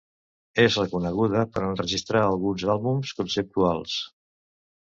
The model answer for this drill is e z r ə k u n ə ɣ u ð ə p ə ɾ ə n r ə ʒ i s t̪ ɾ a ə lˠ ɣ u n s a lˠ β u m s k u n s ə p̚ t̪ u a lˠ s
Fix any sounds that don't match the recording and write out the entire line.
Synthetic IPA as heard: e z r ə k u n ə ɣ u ð ə p ə ɾ ə n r ə ʒ i s t̪ ɾ a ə lˠ ɣ u n z a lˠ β u m s k u n s ə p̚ t̪ u a lˠ s